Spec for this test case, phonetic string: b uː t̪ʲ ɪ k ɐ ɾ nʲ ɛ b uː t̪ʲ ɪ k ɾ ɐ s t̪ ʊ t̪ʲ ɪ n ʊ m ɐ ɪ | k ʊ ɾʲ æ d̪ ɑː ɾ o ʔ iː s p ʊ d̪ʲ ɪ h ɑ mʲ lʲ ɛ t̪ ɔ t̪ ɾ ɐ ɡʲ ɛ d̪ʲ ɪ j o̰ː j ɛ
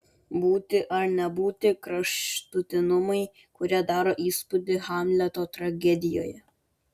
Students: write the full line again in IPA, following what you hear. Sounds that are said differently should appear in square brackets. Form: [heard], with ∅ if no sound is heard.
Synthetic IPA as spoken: b uː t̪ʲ ɪ [ʔ] ɐ ɾ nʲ ɛ b uː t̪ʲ ɪ k ɾ ɐ [ʃ] t̪ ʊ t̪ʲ ɪ n ʊ m ɐ ɪ | k ʊ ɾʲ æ d̪ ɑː ɾ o ʔ iː s p ʊ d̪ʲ ɪ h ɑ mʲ lʲ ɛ t̪ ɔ t̪ ɾ ɐ ɡʲ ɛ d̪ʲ ɪ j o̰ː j ɛ

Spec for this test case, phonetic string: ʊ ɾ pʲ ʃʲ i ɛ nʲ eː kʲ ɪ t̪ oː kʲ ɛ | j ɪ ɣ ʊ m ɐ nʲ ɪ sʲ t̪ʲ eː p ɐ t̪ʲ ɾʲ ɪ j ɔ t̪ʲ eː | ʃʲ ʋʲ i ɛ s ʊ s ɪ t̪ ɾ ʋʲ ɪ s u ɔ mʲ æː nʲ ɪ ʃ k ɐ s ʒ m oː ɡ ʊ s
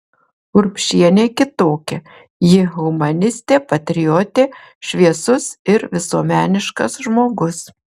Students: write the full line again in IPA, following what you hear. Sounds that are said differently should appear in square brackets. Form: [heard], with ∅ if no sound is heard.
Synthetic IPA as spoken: ʊ ɾ pʲ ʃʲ i ɛ nʲ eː kʲ ɪ t̪ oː kʲ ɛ | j ɪ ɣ ʊ m ɐ nʲ ɪ sʲ t̪ʲ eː p ɐ t̪ʲ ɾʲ ɪ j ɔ t̪ʲ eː | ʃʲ ʋʲ i ɛ s ʊ s ɪ [∅] ɾ ʋʲ ɪ s u ɔ mʲ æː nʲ ɪ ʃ k ɐ s ʒ m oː ɡ ʊ s

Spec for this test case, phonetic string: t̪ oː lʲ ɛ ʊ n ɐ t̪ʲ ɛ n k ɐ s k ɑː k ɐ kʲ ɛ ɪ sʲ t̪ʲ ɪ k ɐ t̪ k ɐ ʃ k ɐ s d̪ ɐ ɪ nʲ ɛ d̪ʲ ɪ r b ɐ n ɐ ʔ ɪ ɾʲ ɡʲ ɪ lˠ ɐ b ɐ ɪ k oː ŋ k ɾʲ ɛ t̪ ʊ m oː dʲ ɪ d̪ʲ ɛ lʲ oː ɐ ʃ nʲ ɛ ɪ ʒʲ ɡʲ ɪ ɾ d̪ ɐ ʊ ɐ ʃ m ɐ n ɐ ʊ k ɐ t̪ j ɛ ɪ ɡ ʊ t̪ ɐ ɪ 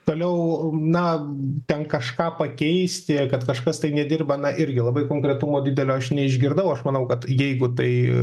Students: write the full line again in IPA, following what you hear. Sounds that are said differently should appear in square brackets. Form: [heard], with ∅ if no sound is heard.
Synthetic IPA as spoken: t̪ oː lʲ ɛ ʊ n ɐ t̪ʲ ɛ n k ɐ [ʃ] k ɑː [p] ɐ kʲ ɛ ɪ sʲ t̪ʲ ɪ k ɐ t̪ k ɐ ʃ k ɐ s [t̪] ɐ ɪ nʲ ɛ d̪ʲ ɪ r b ɐ n ɐ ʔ ɪ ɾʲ ɡʲ ɪ lˠ ɐ b ɐ ɪ k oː ŋ k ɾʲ ɛ t̪ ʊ m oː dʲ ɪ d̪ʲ ɛ lʲ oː ɐ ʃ nʲ ɛ ɪ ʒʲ ɡʲ ɪ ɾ d̪ ɐ ʊ ɐ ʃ m ɐ n ɐ ʊ k ɐ t̪ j ɛ ɪ ɡ ʊ t̪ ɐ ɪ

